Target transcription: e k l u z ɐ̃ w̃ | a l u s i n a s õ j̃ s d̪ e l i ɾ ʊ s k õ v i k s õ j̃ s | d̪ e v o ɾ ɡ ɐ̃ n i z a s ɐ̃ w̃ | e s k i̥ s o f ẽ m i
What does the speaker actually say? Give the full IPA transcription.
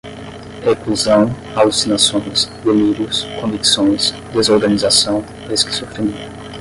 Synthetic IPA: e k l u z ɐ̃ w̃ | a l u s i n a s õ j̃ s d̪ e l i ɾ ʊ s k õ v i k s õ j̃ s | d̪ e z o ɾ ɡ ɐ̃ n i z a s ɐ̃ w̃ | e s k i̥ s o f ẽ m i